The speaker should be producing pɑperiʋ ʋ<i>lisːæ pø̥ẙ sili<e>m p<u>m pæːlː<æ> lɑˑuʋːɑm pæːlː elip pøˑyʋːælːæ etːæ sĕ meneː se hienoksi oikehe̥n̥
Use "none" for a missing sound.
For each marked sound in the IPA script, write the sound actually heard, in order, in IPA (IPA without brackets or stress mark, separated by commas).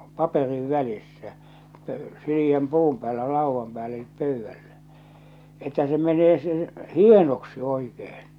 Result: æ, æ, uː, æ